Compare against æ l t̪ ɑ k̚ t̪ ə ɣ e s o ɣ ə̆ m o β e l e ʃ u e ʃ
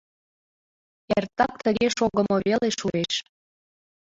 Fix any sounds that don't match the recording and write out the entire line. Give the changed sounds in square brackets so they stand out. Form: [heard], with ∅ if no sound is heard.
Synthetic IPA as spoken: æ [r] t̪ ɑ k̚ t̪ ə ɣ e [ʃ] o ɣ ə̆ m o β e l e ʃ u e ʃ